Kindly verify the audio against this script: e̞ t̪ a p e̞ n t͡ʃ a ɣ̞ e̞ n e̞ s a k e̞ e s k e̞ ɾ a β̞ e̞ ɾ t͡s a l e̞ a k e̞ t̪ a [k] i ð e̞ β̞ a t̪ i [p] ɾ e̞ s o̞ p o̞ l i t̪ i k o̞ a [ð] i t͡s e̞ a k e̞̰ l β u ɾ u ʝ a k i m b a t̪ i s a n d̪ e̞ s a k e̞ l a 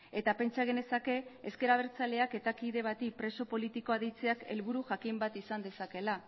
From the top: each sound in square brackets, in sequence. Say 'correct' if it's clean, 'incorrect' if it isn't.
correct, correct, correct

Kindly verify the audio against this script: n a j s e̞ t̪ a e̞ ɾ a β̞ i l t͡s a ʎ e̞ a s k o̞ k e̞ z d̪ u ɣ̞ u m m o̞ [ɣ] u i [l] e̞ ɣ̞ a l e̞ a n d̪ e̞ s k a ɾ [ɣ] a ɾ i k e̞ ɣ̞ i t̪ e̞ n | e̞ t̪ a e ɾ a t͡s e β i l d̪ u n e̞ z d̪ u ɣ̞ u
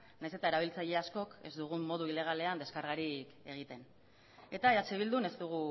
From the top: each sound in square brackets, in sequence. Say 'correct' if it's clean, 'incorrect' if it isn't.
incorrect: ð, correct, correct

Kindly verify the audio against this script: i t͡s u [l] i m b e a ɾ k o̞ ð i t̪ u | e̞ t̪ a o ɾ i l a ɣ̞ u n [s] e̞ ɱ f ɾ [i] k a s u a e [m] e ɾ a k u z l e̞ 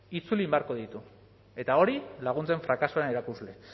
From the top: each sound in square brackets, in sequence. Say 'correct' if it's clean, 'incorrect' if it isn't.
correct, incorrect: t͡s, incorrect: a, incorrect: n

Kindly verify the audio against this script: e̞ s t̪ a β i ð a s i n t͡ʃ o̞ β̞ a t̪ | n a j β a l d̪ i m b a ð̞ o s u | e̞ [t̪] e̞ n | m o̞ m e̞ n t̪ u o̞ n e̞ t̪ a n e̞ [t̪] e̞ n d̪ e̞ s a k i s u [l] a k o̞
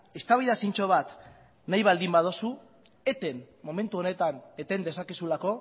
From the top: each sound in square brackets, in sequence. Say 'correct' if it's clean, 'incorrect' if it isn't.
correct, correct, correct

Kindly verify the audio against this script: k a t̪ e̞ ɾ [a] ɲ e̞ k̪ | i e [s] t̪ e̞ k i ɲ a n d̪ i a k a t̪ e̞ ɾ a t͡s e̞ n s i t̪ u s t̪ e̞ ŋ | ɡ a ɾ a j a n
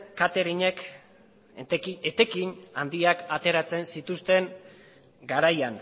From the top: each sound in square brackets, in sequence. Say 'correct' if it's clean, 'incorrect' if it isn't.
incorrect: i, incorrect: none

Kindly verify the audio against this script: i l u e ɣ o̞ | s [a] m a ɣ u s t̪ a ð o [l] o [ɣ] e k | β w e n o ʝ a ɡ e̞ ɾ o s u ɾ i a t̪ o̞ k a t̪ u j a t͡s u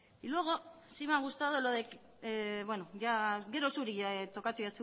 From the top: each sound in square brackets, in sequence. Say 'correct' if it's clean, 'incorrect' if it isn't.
incorrect: i, correct, incorrect: ð

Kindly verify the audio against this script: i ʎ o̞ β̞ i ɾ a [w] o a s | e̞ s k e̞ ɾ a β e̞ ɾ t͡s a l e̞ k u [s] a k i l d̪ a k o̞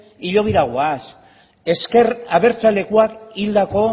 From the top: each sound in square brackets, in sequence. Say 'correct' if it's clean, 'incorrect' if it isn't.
incorrect: ɣ, incorrect: none

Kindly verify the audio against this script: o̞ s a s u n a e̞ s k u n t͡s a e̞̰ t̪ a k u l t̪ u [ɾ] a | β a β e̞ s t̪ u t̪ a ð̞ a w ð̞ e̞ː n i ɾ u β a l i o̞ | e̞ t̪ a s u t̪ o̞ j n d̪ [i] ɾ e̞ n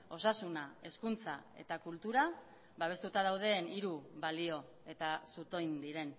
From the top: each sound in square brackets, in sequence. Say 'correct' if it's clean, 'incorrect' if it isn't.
correct, correct

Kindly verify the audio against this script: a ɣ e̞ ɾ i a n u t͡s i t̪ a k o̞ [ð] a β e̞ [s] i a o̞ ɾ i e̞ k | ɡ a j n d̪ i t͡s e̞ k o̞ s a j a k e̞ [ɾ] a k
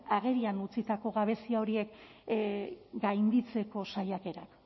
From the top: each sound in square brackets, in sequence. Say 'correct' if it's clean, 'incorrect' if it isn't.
incorrect: ɣ, correct, correct

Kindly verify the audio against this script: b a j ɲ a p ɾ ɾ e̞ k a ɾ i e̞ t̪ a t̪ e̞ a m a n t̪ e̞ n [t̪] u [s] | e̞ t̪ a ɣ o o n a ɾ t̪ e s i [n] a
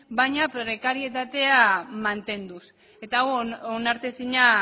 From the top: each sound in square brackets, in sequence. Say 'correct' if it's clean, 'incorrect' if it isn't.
incorrect: d̪, correct, incorrect: ɲ

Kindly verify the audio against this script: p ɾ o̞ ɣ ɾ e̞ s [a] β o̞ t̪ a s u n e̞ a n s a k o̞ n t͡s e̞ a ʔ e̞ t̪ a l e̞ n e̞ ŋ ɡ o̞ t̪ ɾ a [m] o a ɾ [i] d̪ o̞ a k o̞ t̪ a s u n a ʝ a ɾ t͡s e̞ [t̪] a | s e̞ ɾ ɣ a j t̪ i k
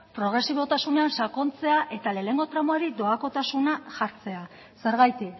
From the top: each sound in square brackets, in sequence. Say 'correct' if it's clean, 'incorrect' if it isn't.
incorrect: i, correct, correct, incorrect: none

